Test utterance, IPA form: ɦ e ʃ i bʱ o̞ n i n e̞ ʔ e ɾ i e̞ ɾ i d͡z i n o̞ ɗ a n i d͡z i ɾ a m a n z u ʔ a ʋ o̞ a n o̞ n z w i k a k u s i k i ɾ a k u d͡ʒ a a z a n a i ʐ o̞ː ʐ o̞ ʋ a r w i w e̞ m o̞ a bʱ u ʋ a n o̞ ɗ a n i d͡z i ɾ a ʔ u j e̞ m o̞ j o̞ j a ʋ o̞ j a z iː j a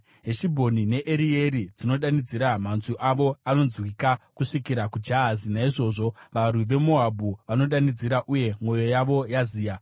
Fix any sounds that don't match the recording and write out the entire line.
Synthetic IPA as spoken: ɦ e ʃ i bʱ o̞ n i n e̞ ʔ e ɾ i e̞ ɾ i d͡z i n o̞ ɗ a n i d͡z i ɾ a m a n z u ʔ a ʋ o̞ a n o̞ n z w i k a k u ʂ i k i ɾ a k u d͡ʒ a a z i n a i ʐ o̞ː ʐ o̞ ʋ a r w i ʋ e̞ m o̞ a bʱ u ʋ a n o̞ ɗ a n i d͡z i ɾ a ʔ u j e̞ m o̞ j o̞ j a ʋ o̞ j a z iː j a